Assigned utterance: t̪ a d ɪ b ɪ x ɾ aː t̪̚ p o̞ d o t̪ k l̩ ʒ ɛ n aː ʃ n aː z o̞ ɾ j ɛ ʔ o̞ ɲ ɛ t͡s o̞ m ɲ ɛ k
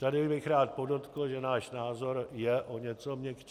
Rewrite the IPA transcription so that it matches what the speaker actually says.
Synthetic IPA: t̪ a d ɪ b ɪ x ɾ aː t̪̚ p o̞ d o t̪ k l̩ ʒ ɛ n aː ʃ n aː z o̞ ɾ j ɛ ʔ o̞ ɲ ɛ t͡s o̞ m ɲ ɛ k